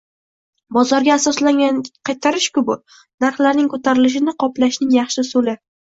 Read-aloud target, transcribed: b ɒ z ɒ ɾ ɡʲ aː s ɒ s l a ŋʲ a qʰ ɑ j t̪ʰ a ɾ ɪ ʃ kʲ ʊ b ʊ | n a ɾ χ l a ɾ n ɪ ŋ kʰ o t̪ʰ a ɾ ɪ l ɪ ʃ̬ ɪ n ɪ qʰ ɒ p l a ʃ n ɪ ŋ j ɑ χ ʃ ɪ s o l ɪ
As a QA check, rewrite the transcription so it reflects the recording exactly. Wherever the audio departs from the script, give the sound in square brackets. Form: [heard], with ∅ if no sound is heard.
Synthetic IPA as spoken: b ɒ z ɒ ɾ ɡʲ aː s ɒ s l a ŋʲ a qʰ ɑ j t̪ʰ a ɾ ɪ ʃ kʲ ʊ b ʊ | n a ɾ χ l a ɾ n ɪ ŋ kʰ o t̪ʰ a ɾ ɪ l ɪ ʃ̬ ɪ n ɪ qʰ ɒ p l a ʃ n ɪ ŋ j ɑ χ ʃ ɪ s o l ɪ

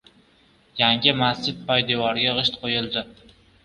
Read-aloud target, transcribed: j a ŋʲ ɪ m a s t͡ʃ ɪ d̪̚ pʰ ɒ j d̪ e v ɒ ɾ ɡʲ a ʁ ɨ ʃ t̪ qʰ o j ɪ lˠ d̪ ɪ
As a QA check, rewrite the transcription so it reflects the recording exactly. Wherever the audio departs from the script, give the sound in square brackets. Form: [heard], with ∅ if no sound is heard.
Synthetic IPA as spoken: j a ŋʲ ɪ m a s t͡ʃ ɪ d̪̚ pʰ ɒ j d̪ e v ɒ ɾ ɡʲ a ʁ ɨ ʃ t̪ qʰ o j ɪ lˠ d̪ ɪ

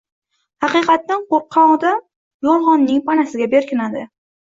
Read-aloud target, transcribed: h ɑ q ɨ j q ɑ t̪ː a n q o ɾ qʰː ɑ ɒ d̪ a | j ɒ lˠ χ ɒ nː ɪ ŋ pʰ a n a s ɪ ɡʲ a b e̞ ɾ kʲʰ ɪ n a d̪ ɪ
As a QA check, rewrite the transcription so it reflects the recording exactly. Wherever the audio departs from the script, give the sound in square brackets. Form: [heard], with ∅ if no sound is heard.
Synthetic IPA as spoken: h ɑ q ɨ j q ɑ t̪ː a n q o ɾ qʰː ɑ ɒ d̪ a | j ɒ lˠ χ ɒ nː ɪ ŋ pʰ a n a s ɪ ɡʲ a b e̞ ɾ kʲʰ ɪ n a d̪ ɪ

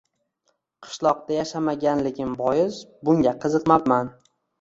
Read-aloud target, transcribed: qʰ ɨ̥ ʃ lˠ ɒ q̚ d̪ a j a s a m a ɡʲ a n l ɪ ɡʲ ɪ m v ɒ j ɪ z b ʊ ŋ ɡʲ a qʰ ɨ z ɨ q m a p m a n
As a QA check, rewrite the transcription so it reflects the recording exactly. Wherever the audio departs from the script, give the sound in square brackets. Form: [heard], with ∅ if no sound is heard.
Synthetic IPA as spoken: qʰ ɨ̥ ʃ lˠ ɒ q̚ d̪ a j a [ʃ] a m a ɡʲ a n l ɪ ɡʲ ɪ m [b] ɒ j ɪ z b ʊ ŋ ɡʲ a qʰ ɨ z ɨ q m a p m a n

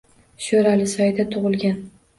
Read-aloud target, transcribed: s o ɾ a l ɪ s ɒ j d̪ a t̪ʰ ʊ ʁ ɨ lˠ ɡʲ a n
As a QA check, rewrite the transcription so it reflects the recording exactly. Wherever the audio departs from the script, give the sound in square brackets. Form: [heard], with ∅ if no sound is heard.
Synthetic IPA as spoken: [ʃ] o ɾ a l ɪ s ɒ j d̪ a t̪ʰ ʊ ʁ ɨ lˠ ɡʲ a n

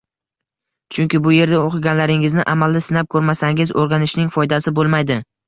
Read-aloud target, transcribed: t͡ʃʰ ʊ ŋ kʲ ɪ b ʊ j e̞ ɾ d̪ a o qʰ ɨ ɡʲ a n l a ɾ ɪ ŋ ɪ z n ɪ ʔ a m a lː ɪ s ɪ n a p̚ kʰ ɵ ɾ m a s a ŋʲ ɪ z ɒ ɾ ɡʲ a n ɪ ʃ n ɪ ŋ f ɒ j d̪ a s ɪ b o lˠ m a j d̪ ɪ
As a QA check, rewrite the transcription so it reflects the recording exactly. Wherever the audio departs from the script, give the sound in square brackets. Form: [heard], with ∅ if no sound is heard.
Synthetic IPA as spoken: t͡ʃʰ ʊ ŋ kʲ ɪ b ʊ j e̞ ɾ d̪ a o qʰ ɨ ɡʲ a n l a ɾ ɪ ŋ ɪ z n ɪ ʔ a m a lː ɪ s ɪ n a p̚ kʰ ɵ ɾ m a s a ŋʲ ɪ z [o] ɾ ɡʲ a n ɪ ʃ n ɪ ŋ f ɒ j d̪ a s ɪ b o lˠ m a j d̪ ɪ

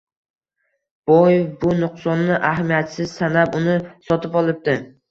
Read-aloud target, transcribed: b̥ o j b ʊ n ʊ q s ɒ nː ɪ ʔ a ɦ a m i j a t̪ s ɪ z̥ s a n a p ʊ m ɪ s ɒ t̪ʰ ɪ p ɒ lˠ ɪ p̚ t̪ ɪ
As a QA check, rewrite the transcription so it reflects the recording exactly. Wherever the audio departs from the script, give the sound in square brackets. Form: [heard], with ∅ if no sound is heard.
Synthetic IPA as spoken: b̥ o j b ʊ n ʊ q s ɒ nː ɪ ʔ a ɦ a m i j a t̪ s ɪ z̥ s a n a p ʊ [n] ɪ s ɒ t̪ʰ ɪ p ɒ lˠ ɪ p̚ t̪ ɪ

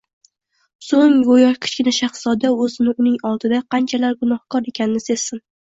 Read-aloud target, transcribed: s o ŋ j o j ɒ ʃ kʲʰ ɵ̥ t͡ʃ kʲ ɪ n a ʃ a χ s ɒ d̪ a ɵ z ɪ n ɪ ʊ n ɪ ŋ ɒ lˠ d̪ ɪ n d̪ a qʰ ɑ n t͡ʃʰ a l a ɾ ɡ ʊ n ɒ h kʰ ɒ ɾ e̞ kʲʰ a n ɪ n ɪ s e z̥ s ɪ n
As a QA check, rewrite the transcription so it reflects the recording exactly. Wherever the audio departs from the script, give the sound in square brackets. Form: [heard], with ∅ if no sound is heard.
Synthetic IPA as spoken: s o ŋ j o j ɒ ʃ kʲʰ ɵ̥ t͡ʃ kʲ ɪ n a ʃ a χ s ɒ d̪ a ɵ z ɪ n ɪ ʊ n ɪ ŋ ɒ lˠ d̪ ɪ [∅] d̪ a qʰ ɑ n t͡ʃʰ a l a ɾ ɡ ʊ n ɒ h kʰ ɒ ɾ e̞ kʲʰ a n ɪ n ɪ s e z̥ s ɪ n

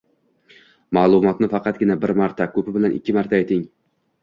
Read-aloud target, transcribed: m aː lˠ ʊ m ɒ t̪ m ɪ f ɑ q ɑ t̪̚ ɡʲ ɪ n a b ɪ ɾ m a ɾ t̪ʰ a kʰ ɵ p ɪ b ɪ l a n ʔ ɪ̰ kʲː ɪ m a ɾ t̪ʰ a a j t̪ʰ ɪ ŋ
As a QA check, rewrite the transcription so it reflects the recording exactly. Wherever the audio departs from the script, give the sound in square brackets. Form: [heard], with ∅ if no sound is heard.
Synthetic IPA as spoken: m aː lˠ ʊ m ɒ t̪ [n] ɪ f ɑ q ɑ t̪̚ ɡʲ ɪ n a b ɪ ɾ m a ɾ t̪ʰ a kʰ ɵ p ɪ b ɪ l a n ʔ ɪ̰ kʲː ɪ m a ɾ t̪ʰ a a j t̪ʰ ɪ ŋ

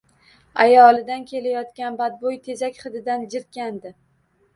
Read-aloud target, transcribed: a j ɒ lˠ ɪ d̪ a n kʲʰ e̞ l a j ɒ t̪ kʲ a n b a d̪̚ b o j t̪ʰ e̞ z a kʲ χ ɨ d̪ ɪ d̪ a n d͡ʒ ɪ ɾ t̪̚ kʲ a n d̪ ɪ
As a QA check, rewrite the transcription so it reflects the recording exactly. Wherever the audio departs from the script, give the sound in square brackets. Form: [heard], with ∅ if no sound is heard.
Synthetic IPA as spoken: a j ɒ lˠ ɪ d̪ a n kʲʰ e̞ l a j ɒ t̪ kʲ a n b a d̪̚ b o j t̪ʰ e̞ z a kʲ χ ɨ d̪ ɪ d̪ a n d͡ʒ ɪ ɾ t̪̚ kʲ a n d̪ ɪ

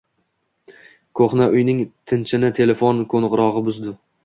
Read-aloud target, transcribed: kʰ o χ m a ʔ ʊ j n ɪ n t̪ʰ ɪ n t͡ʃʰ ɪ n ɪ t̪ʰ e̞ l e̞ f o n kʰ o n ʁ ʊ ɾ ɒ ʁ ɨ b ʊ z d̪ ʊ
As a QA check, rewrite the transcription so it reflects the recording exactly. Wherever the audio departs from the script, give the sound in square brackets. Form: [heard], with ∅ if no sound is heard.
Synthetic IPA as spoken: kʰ o χ [n] a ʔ ʊ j n ɪ [ŋ] t̪ʰ ɪ n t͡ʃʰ ɪ n ɪ t̪ʰ e̞ l e̞ f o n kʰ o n ʁ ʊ ɾ ɒ ʁ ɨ b ʊ z d̪ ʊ

